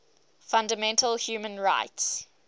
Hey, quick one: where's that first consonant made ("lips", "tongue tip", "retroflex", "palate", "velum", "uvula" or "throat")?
lips